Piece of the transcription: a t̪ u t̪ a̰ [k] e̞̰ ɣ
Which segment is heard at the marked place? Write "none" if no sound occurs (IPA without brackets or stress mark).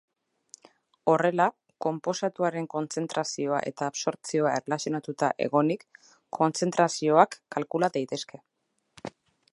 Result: ʔ